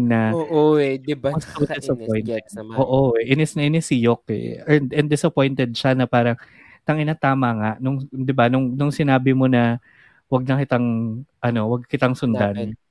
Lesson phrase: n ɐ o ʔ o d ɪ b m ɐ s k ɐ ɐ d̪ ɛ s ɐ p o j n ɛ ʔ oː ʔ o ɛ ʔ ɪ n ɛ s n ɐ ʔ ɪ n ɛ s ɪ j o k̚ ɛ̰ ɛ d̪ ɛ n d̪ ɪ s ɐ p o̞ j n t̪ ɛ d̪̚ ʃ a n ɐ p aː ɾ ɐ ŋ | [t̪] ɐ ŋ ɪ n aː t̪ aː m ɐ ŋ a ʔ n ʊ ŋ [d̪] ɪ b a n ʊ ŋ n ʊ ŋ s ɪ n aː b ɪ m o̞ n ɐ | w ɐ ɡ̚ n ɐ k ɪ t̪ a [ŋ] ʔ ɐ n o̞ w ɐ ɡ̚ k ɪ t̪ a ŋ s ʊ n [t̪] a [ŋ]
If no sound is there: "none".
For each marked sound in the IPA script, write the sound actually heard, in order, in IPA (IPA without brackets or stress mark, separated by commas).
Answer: t̪, d̪, ŋ, d̪, n